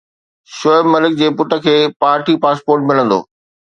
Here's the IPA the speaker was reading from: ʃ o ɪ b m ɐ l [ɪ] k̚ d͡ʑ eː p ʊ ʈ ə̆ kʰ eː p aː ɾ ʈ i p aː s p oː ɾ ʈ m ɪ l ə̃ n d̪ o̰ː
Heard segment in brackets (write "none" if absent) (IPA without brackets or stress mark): ɪ